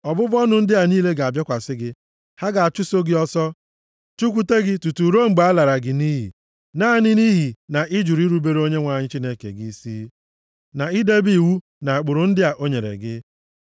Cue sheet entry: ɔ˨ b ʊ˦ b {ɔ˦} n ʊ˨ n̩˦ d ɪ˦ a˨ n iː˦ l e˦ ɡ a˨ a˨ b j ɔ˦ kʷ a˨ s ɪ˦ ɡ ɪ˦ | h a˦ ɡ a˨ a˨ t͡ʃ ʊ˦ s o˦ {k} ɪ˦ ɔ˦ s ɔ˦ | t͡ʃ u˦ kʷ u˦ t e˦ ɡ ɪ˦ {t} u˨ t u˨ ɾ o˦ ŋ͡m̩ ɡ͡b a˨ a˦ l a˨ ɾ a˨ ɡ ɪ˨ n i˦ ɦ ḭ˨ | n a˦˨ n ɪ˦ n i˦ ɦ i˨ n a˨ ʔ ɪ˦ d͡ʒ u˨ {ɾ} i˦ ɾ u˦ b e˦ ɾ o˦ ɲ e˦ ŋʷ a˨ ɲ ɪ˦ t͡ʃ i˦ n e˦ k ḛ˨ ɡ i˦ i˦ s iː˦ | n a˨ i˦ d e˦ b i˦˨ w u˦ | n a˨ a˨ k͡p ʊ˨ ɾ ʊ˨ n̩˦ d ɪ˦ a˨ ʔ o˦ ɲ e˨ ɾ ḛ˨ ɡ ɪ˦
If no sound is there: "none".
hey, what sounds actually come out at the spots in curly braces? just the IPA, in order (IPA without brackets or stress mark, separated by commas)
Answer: ɔ˦, ɡ, t, ɾ